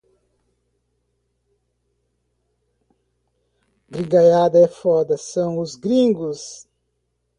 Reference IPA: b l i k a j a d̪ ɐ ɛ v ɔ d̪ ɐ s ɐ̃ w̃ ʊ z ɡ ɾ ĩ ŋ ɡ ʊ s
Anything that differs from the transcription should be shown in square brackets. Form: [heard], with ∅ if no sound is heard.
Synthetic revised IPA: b [ɾ] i [ɡ] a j a d̪ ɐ ɛ [f] ɔ d̪ ɐ s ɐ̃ w̃ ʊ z ɡ ɾ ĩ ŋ ɡ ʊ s